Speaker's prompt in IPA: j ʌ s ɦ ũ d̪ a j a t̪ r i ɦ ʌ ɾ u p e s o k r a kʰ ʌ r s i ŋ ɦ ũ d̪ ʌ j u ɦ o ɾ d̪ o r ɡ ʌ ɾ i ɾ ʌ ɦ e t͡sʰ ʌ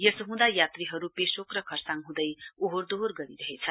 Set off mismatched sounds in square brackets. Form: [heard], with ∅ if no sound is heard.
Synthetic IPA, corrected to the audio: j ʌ s ɦ ũ d̪ a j a t̪ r i ɦ ʌ ɾ u p e s o k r [ʌ] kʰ ʌ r s [a] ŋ ɦ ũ d̪ ʌ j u ɦ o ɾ d̪ o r ɡ ʌ ɾ i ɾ ʌ ɦ e t͡sʰ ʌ